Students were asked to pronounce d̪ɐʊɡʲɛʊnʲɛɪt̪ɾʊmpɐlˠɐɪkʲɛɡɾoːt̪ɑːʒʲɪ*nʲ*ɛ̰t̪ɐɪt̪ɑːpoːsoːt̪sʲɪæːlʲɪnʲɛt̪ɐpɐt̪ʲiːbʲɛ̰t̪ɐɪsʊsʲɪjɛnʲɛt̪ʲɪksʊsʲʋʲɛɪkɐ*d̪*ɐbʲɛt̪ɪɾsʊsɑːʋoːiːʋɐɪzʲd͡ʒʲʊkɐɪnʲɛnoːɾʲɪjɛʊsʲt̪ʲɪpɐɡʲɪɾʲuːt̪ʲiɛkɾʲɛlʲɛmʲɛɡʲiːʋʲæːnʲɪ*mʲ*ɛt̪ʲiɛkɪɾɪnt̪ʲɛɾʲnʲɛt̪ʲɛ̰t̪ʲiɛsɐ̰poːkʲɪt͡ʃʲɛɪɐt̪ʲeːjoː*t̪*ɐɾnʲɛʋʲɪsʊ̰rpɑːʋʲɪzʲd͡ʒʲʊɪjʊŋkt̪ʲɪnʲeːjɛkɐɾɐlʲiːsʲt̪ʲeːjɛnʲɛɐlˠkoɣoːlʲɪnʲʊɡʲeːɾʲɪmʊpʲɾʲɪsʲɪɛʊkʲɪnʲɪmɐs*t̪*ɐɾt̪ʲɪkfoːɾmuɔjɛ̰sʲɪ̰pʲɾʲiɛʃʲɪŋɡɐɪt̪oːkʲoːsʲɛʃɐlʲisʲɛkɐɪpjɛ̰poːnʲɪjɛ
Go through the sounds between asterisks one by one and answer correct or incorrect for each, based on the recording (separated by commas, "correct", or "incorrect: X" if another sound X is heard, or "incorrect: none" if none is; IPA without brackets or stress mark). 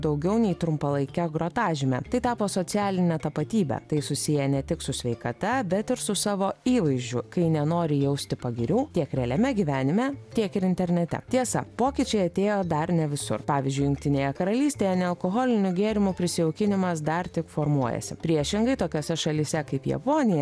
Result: incorrect: mʲ, incorrect: t̪, correct, incorrect: d̪, incorrect: d̪